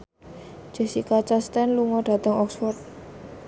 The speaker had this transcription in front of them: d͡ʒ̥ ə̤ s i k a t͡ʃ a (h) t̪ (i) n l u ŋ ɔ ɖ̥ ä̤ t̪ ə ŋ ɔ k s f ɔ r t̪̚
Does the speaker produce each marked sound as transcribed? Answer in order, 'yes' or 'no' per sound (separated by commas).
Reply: no, no